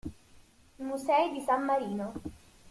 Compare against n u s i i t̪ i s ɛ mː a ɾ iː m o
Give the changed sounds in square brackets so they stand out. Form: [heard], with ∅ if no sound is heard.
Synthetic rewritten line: [m] u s [ɛ] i [d̪] i s [a] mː a ɾ iː [n] o